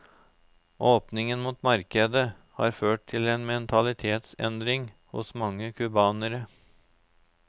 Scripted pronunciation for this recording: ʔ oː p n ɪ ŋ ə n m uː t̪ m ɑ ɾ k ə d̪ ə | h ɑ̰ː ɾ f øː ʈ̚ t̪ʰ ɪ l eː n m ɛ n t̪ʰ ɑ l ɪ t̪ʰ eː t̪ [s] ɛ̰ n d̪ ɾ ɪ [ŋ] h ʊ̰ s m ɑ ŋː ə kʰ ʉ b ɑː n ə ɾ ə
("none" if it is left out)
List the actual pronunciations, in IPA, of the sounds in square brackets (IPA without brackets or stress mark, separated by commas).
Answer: s, ŋ